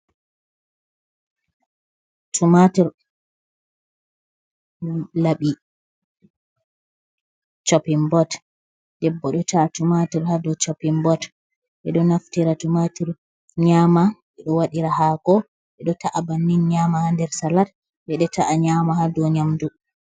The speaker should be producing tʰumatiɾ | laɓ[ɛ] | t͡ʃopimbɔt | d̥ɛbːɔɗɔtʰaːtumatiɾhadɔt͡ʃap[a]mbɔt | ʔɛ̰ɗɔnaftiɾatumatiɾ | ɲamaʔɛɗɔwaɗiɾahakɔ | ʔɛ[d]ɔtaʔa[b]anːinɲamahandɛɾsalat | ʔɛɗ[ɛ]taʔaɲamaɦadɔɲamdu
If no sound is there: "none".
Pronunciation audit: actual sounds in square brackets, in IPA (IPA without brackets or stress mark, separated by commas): i, i, ɗ, b, ɛ